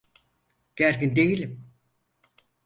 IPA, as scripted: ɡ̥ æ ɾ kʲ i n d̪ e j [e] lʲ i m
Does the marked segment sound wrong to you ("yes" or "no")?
yes